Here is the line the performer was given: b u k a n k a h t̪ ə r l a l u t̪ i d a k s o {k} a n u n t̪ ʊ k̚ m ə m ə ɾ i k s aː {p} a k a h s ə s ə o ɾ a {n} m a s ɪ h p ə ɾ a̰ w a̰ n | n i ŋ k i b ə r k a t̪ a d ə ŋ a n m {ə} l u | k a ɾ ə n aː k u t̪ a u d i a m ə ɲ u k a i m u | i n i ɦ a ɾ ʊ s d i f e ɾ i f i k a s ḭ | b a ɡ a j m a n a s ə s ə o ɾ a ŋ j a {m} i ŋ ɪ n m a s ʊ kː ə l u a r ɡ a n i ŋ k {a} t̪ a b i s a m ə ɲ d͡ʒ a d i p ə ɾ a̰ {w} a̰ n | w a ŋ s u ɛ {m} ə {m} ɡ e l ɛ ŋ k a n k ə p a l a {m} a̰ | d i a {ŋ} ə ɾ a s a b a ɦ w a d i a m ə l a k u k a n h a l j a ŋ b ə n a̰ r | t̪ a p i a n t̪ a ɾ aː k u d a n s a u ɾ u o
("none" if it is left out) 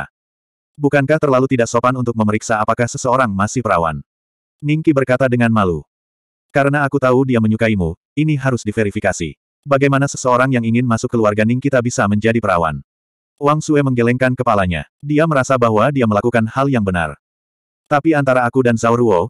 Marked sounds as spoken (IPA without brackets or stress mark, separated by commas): p, p, ŋ, a, ŋ, i, w, m, ŋ, ɲ, m